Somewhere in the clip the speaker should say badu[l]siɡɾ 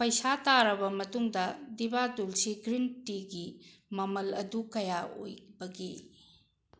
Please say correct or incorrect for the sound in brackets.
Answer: correct